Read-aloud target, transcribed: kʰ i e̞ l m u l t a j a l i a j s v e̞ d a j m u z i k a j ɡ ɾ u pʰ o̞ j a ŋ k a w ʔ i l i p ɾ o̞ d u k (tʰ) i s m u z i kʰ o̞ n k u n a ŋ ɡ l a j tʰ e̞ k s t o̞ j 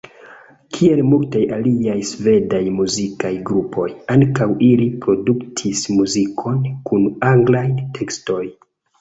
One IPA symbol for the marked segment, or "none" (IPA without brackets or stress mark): tʰ